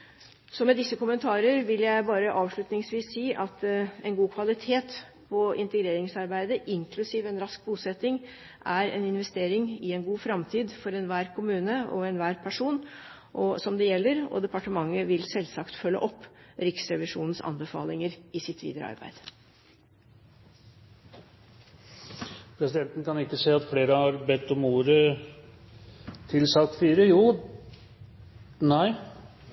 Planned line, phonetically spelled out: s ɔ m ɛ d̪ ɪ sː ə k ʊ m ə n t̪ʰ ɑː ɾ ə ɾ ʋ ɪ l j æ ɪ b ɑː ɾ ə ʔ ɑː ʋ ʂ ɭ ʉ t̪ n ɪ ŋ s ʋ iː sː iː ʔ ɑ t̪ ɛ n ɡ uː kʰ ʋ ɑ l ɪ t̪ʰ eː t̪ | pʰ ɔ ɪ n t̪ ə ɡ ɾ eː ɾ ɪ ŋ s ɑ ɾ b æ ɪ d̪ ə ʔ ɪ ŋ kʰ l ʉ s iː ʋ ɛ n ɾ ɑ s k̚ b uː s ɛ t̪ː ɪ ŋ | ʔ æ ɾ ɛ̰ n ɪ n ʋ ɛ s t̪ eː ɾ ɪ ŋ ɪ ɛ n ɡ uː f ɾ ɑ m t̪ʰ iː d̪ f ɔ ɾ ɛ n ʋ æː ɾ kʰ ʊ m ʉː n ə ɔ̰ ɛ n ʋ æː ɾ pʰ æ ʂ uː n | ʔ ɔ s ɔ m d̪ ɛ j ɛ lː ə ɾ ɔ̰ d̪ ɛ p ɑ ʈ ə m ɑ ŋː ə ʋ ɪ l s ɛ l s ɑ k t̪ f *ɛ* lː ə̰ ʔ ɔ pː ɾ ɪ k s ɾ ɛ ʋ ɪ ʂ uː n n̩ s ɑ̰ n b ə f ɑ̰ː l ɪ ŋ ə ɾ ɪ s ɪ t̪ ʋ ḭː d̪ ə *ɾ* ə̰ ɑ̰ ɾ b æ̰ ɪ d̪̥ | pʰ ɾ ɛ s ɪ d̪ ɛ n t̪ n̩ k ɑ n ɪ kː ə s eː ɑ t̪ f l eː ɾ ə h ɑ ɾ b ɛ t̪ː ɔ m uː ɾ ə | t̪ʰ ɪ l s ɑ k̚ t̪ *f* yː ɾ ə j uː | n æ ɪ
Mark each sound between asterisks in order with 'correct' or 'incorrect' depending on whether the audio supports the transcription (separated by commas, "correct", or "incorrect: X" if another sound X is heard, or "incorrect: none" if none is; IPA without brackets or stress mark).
incorrect: œ, correct, correct